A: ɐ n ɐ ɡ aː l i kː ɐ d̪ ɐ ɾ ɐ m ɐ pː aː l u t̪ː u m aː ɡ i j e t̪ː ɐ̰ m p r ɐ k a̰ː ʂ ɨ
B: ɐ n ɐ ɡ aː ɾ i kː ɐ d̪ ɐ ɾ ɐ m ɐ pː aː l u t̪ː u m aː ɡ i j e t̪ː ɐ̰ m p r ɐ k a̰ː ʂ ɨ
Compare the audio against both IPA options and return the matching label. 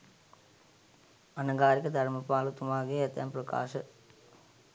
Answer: B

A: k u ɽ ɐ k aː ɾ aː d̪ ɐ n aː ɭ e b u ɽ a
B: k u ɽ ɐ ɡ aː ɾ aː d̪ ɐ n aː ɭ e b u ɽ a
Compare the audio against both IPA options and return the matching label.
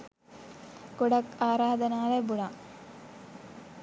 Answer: A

